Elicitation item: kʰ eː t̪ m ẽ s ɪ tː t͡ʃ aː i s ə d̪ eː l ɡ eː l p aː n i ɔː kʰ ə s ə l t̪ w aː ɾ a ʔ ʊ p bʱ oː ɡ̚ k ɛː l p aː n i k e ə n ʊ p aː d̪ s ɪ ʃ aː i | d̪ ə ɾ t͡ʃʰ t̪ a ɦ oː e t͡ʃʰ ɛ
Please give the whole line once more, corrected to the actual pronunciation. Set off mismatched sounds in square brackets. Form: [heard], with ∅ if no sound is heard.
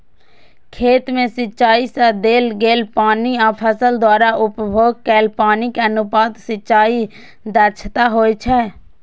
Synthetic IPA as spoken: kʰ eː t̪ m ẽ s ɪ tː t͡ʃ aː i s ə d̪ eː l ɡ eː l p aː n i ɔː [pʰ] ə s ə l [d̪] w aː ɾ a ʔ ʊ p bʱ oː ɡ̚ k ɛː l p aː n i k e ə n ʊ p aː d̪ s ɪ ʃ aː i | d̪ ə ɾ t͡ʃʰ t̪ a ɦ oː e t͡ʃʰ ɛ

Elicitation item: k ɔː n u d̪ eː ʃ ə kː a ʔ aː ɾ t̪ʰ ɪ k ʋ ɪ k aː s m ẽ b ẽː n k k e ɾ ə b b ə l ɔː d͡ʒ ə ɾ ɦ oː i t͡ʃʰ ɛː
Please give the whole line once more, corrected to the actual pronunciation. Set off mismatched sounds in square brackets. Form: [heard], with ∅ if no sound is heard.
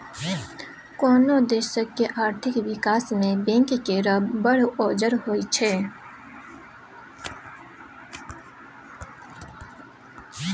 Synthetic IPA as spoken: k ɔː n [o] d̪ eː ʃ ə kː [e] ʔ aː ɾ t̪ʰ ɪ k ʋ ɪ k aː s m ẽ b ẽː [ŋ] k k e ɾ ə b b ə [ɽ] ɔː d͡ʒ ə ɾ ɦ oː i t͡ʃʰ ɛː

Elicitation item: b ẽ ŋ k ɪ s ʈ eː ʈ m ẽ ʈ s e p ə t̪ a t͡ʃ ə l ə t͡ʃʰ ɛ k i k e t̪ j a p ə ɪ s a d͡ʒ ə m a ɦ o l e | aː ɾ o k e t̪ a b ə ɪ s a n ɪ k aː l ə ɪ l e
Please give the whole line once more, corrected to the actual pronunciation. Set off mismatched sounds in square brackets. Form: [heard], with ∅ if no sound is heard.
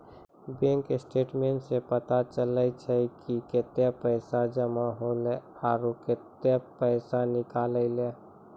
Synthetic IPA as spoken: b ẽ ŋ k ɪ s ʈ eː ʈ m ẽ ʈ s e p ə t̪ a t͡ʃ ə l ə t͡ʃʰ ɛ k i k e t̪ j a p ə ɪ s a d͡ʒ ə m a ɦ o l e | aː ɾ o k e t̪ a [p] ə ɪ s a n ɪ k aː l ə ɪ l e

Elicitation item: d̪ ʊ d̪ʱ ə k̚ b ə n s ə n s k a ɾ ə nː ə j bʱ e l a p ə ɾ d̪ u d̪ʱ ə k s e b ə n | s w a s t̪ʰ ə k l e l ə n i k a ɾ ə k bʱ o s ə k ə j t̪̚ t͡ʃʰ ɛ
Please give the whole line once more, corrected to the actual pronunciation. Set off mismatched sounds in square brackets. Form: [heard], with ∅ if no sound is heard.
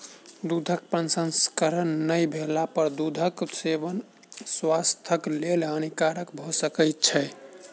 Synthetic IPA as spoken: d̪ [u] d̪ʱ ə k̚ [p] ə n s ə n s k [ə] ɾ ə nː ə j bʱ e l a p ə ɾ d̪ u d̪ʱ ə k s e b ə n | s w a s t̪ʰ ə k l e l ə n i k a ɾ ə k bʱ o s ə k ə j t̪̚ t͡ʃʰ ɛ

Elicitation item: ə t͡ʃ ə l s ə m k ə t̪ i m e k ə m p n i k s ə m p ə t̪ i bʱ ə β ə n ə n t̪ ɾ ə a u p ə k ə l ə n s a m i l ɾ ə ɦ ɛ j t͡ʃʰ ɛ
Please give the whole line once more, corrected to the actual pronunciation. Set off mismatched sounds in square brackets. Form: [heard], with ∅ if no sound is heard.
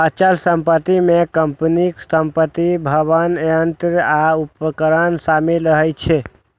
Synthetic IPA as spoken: ə t͡ʃ ə l s ə m [p] ə t̪ i m e k ə m p n i k s ə m p ə t̪ i bʱ ə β ə n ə n t̪ ɾ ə a u p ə k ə [ɾ] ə n s a m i l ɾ ə ɦ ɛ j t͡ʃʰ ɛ

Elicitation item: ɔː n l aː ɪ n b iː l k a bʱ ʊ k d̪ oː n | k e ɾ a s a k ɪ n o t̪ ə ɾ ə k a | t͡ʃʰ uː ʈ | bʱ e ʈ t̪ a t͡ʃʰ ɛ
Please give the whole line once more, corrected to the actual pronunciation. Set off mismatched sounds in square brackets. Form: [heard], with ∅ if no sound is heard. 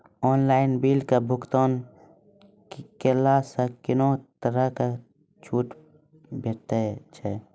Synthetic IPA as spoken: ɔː n l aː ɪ n b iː l k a bʱ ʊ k [t̪] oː n | k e [l] a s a k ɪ n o t̪ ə ɾ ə k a | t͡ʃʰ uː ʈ | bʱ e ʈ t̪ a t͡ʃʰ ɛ

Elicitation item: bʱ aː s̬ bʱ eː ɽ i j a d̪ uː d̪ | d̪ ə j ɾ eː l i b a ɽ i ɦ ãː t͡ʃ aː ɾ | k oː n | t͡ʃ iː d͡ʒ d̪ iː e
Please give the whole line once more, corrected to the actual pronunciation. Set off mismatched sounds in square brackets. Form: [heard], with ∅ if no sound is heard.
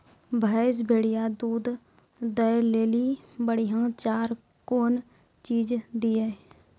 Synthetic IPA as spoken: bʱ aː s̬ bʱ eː ɽ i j a d̪ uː d̪ | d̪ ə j [l] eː l i b [ə] ɽ i ɦ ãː t͡ʃ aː ɾ | k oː n | t͡ʃ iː d͡ʒ d̪ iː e

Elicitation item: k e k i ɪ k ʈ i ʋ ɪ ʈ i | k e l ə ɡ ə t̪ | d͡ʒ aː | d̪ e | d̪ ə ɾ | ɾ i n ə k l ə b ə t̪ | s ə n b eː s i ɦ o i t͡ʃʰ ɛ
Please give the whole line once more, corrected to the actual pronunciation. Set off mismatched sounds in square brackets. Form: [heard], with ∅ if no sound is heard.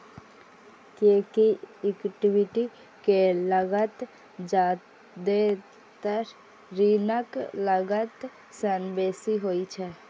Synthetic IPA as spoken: k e k i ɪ k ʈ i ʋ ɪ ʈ i | k e l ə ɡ ə t̪ | d͡ʒ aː | d̪ e | [t̪] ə ɾ | ɾ i n ə k l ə [ɡ] ə t̪ | s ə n b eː s i ɦ o i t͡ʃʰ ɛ

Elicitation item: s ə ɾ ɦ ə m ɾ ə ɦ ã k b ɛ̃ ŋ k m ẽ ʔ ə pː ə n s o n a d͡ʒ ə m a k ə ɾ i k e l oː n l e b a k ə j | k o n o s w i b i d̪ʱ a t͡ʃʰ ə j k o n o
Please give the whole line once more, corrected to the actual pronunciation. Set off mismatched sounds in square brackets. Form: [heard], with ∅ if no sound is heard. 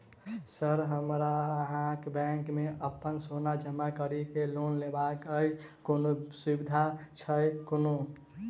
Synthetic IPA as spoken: s ə ɾ ɦ ə m ɾ [a] ɦ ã k b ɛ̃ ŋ k m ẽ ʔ ə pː ə n s o n a d͡ʒ ə m a k ə ɾ i k e l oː n l e b a k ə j | k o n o s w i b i d̪ʱ a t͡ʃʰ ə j k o n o

